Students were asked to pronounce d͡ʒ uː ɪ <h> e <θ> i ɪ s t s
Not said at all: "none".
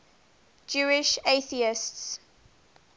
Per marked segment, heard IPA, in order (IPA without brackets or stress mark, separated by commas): ʃ, θ